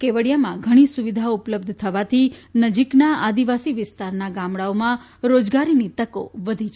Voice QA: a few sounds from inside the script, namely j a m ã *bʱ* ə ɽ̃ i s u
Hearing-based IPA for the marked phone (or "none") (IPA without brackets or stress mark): ɡʱ